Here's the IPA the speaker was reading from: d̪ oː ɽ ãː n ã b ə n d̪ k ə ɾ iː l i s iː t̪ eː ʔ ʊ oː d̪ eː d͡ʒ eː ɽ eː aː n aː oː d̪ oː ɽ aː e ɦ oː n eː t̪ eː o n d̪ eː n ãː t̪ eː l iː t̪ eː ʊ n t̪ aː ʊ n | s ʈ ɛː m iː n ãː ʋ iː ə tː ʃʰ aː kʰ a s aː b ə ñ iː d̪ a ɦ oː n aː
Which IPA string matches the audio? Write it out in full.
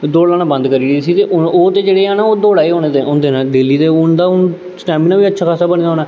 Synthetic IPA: d̪ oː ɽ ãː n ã b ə n d̪ k ə ɾ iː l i s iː t̪ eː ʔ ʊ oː t̪ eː d͡ʒ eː ɽ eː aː n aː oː d̪ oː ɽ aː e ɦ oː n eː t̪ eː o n d̪ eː n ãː d̪ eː l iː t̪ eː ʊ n d̪ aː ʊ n | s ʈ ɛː m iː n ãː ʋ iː ə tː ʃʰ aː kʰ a s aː b ə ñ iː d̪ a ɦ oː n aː